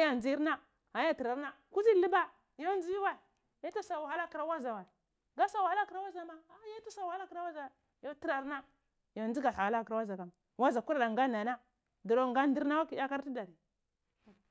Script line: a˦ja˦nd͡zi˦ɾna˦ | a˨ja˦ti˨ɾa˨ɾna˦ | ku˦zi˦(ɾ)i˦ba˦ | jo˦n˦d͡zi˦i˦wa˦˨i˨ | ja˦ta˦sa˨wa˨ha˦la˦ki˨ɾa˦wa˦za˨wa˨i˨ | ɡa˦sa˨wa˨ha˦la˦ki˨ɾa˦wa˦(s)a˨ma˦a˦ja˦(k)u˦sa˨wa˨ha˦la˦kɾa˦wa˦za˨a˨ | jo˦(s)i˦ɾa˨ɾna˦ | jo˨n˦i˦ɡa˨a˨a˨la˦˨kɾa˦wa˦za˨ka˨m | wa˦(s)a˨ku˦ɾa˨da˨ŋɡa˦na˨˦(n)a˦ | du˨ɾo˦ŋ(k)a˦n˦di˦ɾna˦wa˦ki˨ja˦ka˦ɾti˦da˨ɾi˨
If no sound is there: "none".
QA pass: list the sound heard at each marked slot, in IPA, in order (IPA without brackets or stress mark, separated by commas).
l, z, t, t, z, n, ɡ